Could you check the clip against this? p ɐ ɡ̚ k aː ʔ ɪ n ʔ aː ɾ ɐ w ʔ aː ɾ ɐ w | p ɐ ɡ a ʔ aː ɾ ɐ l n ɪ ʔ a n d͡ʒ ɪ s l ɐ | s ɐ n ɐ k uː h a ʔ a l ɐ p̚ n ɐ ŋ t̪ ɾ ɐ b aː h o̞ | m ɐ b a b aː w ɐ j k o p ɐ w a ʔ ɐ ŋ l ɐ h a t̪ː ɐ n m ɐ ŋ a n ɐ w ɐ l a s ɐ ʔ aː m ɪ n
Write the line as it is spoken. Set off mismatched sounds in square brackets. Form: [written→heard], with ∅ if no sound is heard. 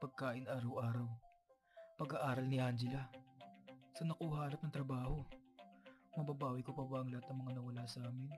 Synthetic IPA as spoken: p ɐ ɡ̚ k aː ʔ ɪ n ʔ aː ɾ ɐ w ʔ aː ɾ ɐ w | p ɐ ɡ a ʔ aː ɾ ɐ l n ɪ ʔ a n d͡ʒ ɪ [s→∅] l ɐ | s ɐ n ɐ k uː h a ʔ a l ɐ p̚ n ɐ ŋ t̪ ɾ ɐ b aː h o̞ | m ɐ b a b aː w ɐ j k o p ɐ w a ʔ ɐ ŋ l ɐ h a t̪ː ɐ [n→ŋ] m ɐ ŋ a n ɐ w ɐ l a s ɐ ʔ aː m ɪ n